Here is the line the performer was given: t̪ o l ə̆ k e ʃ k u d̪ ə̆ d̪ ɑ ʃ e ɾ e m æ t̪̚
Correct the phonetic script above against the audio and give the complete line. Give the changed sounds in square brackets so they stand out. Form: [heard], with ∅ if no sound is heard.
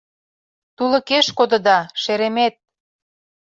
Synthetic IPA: t̪ [u] l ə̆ k e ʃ k [o] d̪ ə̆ d̪ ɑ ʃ e ɾ e m [e] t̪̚